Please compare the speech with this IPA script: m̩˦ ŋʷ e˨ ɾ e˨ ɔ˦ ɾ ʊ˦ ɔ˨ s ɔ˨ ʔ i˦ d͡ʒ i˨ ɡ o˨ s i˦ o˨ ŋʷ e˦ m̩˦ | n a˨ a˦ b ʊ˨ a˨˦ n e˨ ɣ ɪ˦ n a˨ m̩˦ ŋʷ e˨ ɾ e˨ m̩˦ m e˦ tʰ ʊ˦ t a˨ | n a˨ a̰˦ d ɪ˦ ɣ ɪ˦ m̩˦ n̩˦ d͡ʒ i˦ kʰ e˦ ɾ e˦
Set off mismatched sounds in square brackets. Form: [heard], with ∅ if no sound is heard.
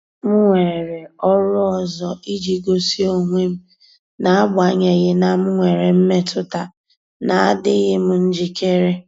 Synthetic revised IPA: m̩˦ ŋʷ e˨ ɾ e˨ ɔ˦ ɾ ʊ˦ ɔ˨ [z] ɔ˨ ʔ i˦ d͡ʒ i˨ ɡ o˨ s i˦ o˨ ŋʷ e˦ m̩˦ | n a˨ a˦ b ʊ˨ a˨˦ [ɲ] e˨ ɣ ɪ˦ n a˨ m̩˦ ŋʷ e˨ ɾ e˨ m̩˦ m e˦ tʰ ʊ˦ t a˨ | n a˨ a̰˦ d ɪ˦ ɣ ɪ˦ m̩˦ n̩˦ d͡ʒ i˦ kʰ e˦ ɾ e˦